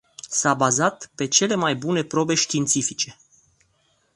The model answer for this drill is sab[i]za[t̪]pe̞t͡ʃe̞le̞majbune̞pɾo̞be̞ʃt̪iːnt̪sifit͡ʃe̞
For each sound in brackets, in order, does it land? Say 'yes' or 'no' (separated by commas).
no, yes